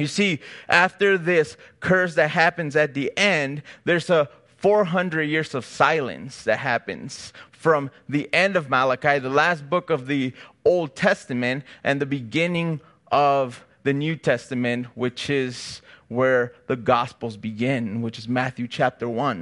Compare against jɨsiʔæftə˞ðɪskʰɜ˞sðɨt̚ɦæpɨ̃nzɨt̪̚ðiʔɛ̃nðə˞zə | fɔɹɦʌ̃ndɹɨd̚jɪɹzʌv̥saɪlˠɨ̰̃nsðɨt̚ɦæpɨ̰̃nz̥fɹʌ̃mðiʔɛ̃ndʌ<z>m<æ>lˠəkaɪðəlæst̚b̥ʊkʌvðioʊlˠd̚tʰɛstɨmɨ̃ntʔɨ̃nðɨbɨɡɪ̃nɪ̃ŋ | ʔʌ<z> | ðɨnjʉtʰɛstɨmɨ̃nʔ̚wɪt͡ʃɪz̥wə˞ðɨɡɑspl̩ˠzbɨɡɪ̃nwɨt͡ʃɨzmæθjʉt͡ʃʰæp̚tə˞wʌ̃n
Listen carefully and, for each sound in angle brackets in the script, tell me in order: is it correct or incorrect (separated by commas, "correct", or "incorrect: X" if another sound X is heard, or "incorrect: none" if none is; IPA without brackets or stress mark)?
incorrect: v, correct, incorrect: v